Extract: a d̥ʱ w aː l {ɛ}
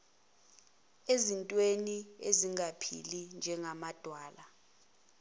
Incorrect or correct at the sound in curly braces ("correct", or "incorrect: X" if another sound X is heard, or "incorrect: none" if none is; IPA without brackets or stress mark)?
incorrect: a